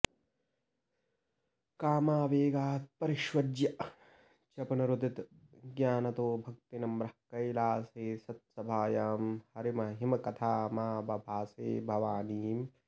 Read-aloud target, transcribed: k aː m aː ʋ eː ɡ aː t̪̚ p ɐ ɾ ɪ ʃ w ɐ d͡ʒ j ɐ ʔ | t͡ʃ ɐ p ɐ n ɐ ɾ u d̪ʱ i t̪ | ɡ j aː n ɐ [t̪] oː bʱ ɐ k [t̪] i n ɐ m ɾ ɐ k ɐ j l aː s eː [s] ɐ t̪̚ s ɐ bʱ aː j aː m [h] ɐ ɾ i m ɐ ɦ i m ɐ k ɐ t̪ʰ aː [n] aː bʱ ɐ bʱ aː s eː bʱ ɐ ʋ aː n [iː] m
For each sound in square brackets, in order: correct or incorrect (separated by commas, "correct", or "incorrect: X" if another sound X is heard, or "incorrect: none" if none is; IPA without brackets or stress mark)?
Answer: correct, correct, correct, correct, incorrect: m, correct